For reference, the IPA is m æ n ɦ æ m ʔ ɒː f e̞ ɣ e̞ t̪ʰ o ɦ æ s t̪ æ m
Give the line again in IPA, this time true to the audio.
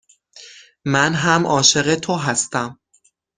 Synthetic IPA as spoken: m æ n ɦ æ m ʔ ɒː ʃ e̞ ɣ e̞ t̪ʰ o ɦ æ s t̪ æ m